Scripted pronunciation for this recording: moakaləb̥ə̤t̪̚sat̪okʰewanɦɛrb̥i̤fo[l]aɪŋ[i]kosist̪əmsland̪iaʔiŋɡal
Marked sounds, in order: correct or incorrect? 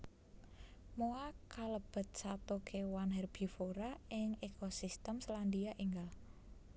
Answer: incorrect: ɾ, incorrect: e

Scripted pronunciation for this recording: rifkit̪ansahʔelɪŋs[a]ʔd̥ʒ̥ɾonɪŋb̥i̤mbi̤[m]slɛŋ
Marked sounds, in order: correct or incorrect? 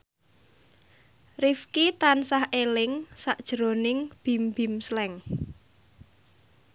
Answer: correct, correct

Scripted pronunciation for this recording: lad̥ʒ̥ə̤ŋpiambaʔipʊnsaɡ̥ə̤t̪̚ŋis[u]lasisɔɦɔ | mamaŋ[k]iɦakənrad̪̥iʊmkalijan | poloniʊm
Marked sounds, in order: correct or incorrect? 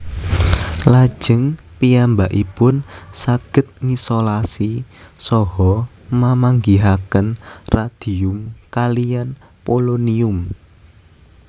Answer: incorrect: o, incorrect: ɡ

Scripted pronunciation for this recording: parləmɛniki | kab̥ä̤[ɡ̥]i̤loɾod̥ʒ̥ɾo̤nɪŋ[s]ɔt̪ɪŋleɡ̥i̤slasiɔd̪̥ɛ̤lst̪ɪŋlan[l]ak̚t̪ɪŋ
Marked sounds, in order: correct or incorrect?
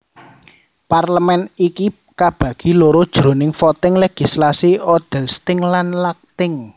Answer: correct, incorrect: f, correct

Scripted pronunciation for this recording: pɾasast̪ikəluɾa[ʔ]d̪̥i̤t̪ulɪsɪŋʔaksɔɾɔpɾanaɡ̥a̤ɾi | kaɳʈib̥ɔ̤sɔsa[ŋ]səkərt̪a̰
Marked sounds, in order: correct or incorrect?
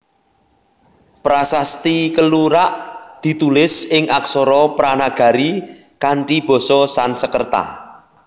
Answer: correct, incorrect: n

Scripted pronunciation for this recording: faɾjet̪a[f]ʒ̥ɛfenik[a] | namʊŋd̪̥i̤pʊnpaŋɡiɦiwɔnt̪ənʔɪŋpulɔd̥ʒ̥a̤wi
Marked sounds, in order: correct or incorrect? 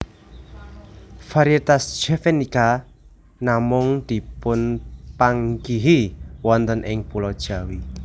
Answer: incorrect: s, correct

